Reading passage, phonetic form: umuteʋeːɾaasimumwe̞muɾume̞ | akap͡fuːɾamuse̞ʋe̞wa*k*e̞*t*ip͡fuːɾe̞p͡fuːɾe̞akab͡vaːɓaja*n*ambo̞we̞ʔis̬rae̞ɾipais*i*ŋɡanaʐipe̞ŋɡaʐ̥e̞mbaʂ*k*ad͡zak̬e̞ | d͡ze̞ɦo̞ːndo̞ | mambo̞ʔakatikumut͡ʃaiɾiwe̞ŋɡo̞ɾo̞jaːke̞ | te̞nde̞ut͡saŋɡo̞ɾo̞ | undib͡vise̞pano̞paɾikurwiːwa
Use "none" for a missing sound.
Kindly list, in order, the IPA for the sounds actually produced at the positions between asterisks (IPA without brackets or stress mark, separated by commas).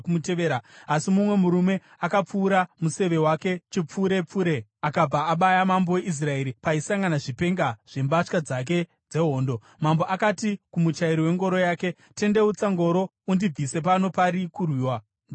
k, t͡ʃ, m, a, k